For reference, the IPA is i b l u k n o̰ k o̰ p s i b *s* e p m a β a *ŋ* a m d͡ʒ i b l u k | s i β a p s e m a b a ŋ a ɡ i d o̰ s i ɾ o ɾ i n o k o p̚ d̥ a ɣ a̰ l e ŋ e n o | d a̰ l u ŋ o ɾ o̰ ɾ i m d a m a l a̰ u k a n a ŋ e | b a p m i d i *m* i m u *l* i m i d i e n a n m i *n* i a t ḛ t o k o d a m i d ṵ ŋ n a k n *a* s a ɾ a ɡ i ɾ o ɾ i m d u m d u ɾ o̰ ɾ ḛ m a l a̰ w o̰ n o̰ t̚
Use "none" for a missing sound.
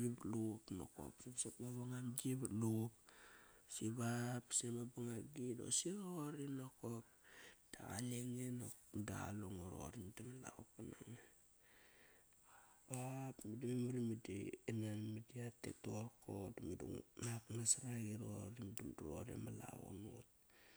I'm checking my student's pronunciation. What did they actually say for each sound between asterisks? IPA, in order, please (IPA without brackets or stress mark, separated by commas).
s, ŋ, m, ɾ, d, a